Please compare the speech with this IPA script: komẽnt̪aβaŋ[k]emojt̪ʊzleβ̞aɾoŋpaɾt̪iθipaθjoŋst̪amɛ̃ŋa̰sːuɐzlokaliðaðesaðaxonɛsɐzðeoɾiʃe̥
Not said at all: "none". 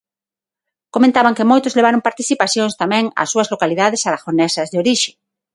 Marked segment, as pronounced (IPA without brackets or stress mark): k